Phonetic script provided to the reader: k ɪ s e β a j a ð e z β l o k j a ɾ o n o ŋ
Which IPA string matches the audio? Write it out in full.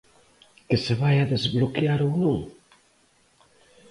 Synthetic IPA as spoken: k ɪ s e β a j a ð e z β l o k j a ɾ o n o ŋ